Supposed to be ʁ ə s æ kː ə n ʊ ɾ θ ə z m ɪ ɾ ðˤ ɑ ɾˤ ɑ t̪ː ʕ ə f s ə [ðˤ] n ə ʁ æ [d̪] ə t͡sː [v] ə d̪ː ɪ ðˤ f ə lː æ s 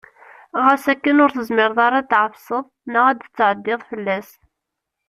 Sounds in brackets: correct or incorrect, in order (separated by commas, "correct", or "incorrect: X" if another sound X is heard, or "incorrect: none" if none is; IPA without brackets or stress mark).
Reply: correct, correct, incorrect: ʕ